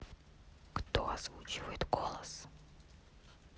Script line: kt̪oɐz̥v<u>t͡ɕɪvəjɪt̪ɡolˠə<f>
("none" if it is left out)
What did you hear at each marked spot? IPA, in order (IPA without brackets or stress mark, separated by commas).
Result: u, s